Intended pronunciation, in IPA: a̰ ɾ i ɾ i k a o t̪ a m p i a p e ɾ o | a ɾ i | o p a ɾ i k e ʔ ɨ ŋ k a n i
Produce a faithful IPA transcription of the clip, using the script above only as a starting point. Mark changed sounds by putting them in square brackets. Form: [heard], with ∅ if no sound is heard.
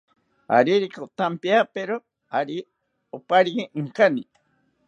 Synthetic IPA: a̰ ɾ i ɾ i k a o t̪ a m p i a p e ɾ o | a ɾ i | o p a ɾ i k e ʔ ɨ ŋ k a n i